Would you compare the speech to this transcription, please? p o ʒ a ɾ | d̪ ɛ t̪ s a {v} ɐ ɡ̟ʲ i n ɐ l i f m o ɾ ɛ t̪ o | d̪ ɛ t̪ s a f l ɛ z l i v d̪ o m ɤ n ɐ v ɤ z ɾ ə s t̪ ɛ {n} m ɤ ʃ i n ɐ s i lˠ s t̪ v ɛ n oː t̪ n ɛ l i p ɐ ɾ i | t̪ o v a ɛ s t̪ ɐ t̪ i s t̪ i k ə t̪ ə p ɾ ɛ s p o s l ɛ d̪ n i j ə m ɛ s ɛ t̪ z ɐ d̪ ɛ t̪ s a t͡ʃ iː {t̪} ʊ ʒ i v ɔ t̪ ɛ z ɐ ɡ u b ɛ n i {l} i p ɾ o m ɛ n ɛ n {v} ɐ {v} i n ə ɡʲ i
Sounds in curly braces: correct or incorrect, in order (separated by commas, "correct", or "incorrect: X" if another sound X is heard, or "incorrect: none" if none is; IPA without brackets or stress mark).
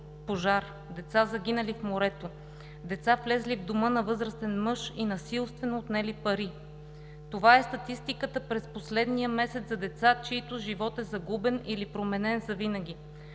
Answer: incorrect: z, correct, correct, correct, incorrect: z, correct